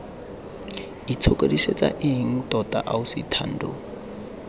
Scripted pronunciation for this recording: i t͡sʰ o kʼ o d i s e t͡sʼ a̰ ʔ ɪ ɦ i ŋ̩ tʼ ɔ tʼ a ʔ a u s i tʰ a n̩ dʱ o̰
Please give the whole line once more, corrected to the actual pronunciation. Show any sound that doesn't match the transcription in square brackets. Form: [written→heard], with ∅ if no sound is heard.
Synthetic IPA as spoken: i t͡sʰ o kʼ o d i s e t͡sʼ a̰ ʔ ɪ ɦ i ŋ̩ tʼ ɔ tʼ a ʔ a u s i tʰ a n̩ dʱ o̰